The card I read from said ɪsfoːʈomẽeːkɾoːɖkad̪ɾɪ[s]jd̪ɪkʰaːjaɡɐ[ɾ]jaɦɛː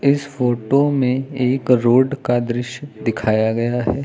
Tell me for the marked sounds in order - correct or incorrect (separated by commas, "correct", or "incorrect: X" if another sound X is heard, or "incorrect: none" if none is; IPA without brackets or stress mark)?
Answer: incorrect: ʃ, incorrect: none